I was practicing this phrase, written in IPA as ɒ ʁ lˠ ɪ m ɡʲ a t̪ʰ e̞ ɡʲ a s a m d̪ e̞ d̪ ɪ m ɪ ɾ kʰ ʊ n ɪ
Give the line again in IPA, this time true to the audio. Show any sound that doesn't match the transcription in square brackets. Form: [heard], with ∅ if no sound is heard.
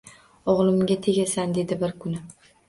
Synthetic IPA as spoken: ɒ ʁ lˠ ɪ m ɡʲ a t̪ʰ e̞ ɡʲ a s a [n] d̪ e̞ d̪ ɪ [b] ɪ ɾ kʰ ʊ n ɪ